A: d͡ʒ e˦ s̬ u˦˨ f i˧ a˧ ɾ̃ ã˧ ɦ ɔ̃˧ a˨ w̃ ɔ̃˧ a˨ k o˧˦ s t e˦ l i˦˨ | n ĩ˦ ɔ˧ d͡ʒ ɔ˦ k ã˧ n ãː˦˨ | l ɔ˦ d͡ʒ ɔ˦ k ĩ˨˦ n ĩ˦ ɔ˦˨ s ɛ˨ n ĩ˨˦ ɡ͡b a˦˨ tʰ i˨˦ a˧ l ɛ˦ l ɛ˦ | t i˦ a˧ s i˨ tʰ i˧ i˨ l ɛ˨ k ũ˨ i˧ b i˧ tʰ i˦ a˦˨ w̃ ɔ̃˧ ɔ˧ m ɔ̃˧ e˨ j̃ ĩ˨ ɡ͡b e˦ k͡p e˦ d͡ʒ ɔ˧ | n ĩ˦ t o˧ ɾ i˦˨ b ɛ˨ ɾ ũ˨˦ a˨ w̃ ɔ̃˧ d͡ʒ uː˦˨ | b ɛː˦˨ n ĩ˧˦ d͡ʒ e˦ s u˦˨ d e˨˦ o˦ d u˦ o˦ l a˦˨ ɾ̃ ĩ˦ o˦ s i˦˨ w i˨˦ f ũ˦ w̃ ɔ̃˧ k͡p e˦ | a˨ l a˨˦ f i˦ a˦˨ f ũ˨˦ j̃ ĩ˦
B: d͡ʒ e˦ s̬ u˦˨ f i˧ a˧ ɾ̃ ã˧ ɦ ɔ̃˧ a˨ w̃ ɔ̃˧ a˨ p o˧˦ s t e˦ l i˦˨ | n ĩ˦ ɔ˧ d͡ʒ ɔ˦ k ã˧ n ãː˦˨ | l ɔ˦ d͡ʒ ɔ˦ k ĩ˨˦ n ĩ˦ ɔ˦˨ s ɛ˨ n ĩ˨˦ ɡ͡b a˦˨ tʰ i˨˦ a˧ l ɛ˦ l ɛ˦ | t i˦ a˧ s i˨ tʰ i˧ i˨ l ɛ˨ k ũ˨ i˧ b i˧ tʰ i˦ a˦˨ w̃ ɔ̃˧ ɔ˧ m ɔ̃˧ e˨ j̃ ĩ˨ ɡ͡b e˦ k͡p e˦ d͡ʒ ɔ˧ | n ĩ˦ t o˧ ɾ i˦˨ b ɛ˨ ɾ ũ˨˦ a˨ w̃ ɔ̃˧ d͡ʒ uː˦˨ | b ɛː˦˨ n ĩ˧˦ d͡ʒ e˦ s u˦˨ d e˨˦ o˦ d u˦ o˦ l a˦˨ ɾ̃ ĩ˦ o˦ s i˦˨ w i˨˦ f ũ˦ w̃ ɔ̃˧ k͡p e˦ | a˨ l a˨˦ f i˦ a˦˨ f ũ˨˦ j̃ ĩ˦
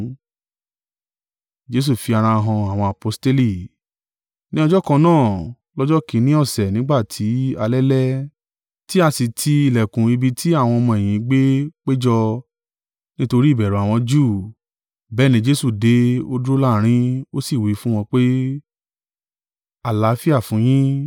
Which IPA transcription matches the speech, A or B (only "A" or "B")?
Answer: B